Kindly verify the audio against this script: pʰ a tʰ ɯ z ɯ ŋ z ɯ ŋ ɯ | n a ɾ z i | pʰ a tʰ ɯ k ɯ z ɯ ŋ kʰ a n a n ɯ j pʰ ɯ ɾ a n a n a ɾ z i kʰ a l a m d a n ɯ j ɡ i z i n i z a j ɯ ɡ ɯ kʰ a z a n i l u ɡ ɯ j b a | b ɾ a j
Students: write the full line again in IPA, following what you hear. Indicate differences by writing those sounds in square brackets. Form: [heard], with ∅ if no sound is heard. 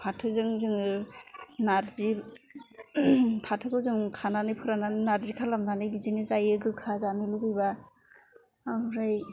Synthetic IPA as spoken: pʰ a tʰ ɯ z ɯ ŋ z ɯ ŋ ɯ | n a ɾ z i | pʰ a tʰ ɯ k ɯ z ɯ ŋ kʰ a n a n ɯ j pʰ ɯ ɾ a n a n a ɾ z i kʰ a l a m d a n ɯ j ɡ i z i n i z a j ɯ ɡ ɯ kʰ a z a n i l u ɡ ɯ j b a | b ɾ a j